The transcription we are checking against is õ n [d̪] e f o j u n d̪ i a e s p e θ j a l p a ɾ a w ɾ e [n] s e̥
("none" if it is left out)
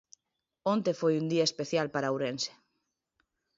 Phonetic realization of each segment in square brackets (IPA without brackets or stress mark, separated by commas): t̪, n